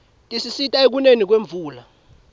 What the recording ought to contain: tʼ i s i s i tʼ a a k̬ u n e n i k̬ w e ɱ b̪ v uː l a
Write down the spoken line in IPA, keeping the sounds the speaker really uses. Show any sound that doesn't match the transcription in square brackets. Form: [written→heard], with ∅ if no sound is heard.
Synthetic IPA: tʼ i s i s i tʼ a [a→e] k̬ u n e n i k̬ w e ɱ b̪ v uː l a